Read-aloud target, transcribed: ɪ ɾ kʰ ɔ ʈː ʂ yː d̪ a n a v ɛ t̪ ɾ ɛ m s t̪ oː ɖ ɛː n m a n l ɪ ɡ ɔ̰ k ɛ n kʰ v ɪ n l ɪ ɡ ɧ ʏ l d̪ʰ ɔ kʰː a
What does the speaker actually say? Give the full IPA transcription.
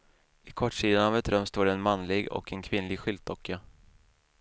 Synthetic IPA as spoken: ɪ kʰ ɔ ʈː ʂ iː d̪ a n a v ɛ t̪ ɾ œ m s t̪ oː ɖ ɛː n m a n l ɪ ɡ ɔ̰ k ɛ n kʰ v ɪ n l ɪ ɡ ɧ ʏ l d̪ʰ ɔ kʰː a